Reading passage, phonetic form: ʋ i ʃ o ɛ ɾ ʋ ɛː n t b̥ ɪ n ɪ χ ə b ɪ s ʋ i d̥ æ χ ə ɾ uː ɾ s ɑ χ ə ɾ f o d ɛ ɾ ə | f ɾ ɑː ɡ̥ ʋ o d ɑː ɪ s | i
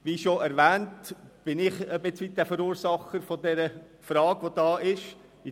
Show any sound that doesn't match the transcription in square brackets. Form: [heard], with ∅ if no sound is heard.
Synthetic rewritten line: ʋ i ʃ o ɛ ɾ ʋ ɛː n t b̥ ɪ n ɪ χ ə b ɪ [t͡s] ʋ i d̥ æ [f] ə ɾ uː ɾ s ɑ χ ə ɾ f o d ɛ ɾ ə | f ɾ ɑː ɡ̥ ʋ o d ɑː ɪ [ʃ] | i